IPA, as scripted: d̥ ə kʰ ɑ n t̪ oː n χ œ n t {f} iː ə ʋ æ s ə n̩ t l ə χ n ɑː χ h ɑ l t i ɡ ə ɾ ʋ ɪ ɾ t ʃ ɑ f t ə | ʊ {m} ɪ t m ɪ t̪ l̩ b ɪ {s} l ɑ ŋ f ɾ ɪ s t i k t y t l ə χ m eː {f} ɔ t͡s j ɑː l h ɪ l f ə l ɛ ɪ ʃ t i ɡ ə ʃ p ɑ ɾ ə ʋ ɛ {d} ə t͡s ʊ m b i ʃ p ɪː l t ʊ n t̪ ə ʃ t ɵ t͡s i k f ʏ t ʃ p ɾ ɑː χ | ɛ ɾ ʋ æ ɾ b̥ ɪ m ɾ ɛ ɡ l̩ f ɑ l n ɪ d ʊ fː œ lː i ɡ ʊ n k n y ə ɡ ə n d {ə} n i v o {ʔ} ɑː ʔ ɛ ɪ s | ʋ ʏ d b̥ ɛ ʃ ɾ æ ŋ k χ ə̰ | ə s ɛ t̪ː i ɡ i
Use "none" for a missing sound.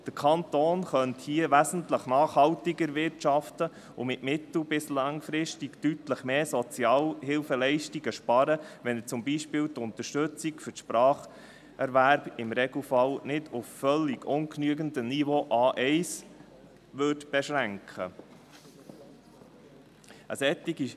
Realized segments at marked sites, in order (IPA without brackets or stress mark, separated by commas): h, m, s, s, n, ə, ʔ